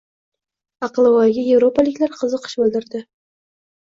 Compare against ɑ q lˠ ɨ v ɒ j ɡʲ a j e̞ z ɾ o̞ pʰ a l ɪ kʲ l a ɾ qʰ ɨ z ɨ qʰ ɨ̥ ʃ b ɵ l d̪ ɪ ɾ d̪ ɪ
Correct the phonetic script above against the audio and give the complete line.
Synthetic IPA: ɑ q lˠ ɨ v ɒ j ɡʲ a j e̞ v ɾ o̞ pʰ a l ɪ kʲ l a ɾ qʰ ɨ z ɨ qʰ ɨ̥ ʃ b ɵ l d̪ ɪ ɾ d̪ ɪ